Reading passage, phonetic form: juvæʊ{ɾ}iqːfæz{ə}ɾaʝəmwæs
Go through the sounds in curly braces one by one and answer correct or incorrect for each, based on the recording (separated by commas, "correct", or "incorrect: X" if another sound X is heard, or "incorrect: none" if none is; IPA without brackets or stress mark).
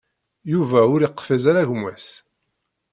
correct, incorrect: a